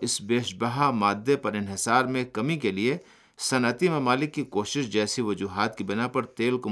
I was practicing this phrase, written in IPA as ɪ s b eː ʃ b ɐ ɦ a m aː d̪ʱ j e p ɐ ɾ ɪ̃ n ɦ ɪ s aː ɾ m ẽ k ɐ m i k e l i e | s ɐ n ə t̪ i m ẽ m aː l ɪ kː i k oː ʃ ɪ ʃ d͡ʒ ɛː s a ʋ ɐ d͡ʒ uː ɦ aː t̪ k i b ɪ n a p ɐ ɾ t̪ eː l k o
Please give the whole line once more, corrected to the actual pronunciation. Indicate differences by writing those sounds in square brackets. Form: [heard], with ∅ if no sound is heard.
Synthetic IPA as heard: ɪ s b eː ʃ b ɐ ɦ a m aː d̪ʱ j e p ɐ ɾ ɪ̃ n ɦ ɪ s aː ɾ m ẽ k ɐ m i k e l i e | s ɐ n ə t̪ i m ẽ m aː l ɪ kː i k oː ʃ ɪ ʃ d͡ʒ ɛː s [i] ʋ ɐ d͡ʒ uː ɦ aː t̪ k i b ɪ n a p ɐ ɾ t̪ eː l k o